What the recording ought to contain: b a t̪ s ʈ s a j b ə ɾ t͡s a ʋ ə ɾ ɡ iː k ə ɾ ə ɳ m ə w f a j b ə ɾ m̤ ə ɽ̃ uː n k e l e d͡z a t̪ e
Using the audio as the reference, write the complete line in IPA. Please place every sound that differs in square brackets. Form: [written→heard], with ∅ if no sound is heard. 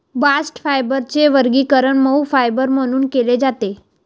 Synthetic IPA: b a [t̪→∅] s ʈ [s→f] a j b ə ɾ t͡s [a→e] ʋ ə ɾ ɡ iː k ə ɾ ə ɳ m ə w f a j b ə ɾ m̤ ə ɽ̃ uː n k e l e d͡z a t̪ e